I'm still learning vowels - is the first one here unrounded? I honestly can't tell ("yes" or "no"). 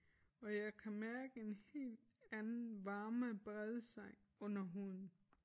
no